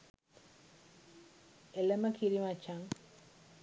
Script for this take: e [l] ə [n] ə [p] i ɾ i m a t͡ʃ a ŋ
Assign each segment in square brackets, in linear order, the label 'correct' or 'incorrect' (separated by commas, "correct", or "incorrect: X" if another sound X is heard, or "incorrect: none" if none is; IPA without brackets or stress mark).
correct, incorrect: m, incorrect: k